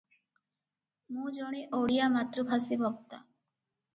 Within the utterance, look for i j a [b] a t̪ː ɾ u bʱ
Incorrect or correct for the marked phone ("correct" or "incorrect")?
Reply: incorrect